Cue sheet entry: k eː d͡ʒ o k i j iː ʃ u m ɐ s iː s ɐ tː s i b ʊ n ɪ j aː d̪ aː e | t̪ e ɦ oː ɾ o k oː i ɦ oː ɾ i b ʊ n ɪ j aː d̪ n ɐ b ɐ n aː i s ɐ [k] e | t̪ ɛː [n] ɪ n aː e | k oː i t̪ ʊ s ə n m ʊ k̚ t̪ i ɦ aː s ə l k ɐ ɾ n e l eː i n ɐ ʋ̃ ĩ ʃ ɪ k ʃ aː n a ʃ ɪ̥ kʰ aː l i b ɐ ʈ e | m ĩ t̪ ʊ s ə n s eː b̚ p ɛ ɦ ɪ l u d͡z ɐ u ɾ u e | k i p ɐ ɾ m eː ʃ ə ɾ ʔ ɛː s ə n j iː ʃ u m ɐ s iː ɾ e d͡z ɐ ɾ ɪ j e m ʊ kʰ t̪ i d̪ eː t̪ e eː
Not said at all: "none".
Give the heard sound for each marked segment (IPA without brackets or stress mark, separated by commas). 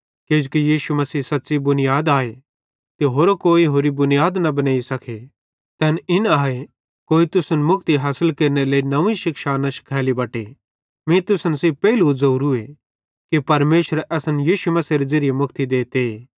kʰ, n